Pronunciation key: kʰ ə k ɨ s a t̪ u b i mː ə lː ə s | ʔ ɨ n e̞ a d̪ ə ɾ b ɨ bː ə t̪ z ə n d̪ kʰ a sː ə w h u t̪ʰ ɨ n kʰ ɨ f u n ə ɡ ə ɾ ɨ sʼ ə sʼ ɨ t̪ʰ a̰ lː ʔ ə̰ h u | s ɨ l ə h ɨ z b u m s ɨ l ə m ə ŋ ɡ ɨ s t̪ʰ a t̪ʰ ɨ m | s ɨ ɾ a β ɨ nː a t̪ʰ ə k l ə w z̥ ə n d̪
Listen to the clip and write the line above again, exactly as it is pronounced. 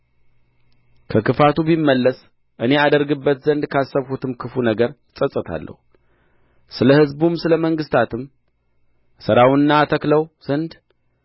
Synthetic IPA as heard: kʰ ə k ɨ f a t̪ u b i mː ə lː ə s | ʔ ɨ n e̞ a d̪ ə ɾ ɡ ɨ bː ə t̪ z ə n d̪ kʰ a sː ə β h u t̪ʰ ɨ m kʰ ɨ f u n ə ɡ ə ɾ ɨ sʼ ə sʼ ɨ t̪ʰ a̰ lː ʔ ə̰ h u | s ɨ l ə h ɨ z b u m s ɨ l ə m ə ŋ ɡ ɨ s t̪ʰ a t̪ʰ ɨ m | s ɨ ɾ a w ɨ nː a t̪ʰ ə k l ə w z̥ ə n d̪